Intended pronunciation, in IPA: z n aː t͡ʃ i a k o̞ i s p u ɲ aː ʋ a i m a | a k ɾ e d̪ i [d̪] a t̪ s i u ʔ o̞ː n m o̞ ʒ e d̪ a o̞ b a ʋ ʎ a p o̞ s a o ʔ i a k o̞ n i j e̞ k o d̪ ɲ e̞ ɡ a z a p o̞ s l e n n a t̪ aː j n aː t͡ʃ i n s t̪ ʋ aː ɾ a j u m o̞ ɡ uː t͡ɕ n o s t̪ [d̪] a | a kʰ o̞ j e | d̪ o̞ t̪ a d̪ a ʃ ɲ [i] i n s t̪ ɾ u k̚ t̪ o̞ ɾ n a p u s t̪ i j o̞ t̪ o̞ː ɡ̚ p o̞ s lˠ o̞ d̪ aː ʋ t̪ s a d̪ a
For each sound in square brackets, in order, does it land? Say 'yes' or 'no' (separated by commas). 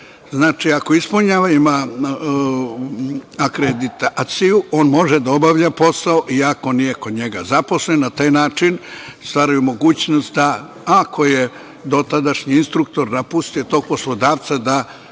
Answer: no, yes, yes